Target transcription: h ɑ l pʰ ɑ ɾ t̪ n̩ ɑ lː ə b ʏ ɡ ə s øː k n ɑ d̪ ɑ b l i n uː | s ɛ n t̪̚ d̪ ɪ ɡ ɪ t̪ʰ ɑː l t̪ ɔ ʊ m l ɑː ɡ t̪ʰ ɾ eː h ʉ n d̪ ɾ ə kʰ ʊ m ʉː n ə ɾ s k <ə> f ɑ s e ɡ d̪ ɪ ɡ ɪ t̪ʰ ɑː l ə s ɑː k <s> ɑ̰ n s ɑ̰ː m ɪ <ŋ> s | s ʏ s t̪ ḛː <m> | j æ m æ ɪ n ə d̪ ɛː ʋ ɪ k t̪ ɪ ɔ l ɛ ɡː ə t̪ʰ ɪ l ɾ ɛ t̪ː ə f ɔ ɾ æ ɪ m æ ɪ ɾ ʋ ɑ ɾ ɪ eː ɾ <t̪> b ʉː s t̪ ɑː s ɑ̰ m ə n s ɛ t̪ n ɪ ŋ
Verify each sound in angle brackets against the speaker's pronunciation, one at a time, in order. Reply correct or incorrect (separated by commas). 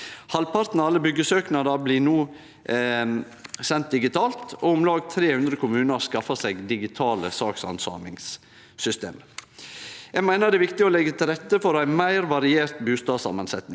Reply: incorrect, correct, correct, correct, correct